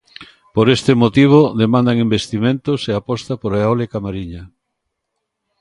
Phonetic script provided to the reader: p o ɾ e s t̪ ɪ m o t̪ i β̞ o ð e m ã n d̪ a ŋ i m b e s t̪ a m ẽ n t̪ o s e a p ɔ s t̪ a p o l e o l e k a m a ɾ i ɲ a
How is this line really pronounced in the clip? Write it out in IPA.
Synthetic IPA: p o ɾ e s t̪ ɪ m o t̪ i β̞ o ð e m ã n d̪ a ŋ i m b e s t̪ i m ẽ n t̪ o s e a p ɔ s t̪ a p o ɾ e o l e k a m a ɾ i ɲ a

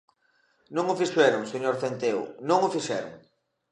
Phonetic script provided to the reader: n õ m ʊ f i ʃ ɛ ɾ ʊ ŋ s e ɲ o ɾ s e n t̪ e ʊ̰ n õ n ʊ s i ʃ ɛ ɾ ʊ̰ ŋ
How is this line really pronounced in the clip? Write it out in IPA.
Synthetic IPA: n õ ŋ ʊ f i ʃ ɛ ɾ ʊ ŋ s e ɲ o ɾ θ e n t̪ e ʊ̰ n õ ŋ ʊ f i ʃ ɛ ɾ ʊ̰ ŋ

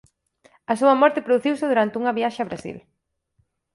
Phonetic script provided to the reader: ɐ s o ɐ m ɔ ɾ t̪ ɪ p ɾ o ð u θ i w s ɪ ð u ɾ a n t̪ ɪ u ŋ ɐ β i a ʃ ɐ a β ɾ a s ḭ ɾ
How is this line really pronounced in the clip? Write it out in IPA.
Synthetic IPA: ɐ s u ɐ m ɔ ɾ t̪ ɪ p ɾ o ð u θ i w s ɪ ð u ɾ a n t̪ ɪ u ŋ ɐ β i a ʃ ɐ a β ɾ a s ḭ l

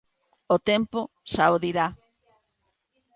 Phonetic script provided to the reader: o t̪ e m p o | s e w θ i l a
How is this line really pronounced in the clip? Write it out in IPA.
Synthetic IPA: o t̪ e m p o | s a w ð i ɾ a

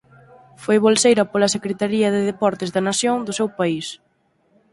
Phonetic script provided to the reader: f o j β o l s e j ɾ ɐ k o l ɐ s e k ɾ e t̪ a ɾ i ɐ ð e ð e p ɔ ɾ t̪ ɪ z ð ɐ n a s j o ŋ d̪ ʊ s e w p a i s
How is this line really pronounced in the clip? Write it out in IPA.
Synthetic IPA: f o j β o l s e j ɾ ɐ p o l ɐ s e k ɾ e t̪ a ɾ i ɐ ð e ð e p ɔ ɾ t̪ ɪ z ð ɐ n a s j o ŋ d̪ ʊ s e w p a i s

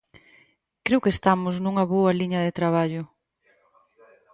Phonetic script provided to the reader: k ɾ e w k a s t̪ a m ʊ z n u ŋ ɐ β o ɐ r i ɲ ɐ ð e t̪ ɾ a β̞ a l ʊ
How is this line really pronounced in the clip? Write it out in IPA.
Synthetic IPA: k ɾ e w k e s t̪ a m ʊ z n u ŋ ɐ β o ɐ l i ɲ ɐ ð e t̪ ɾ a β̞ a ʎ ʊ

